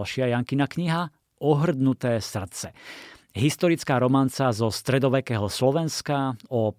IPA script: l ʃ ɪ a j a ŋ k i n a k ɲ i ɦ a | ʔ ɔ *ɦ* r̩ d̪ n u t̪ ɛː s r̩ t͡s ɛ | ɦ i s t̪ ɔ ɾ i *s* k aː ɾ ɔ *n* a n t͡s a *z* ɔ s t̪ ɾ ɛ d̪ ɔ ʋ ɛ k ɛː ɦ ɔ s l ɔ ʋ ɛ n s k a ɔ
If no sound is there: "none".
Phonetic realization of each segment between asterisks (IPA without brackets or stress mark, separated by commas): ɦ, t͡s, m, z